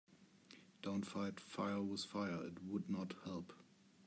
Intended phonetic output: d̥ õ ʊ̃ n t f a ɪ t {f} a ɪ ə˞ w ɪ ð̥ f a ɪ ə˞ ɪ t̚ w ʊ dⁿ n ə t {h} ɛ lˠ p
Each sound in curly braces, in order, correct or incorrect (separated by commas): correct, correct